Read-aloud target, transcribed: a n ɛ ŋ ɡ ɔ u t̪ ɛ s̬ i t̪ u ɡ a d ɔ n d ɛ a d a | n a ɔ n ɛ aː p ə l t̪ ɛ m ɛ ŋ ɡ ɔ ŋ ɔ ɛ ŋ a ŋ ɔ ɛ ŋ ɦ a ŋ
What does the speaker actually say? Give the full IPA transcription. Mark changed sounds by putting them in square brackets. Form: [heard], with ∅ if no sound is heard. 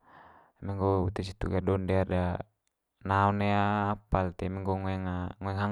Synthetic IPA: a [m] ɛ ŋ ɡ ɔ u t̪ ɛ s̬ i t̪ u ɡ a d ɔ n d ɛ a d a | n a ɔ n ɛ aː p [a] l t̪ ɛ m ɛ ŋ ɡ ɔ ŋ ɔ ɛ ŋ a ŋ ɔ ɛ ŋ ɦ a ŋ